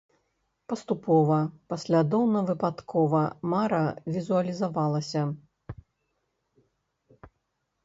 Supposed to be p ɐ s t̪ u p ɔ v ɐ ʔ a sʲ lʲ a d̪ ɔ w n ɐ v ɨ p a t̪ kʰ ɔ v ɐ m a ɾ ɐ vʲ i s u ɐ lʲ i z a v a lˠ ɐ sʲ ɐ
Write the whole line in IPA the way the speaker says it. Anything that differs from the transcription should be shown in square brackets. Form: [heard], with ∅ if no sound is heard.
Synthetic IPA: p ɐ s t̪ u p ɔ v ɐ [p] a sʲ lʲ a d̪ ɔ w n ɐ v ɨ p a t̪ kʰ ɔ v ɐ m a ɾ ɐ vʲ i [z] u ɐ lʲ i z a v a lˠ ɐ sʲ ɐ